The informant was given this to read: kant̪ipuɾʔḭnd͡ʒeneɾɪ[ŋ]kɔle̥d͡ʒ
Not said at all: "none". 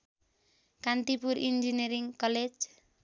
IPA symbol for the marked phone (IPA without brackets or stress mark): ŋ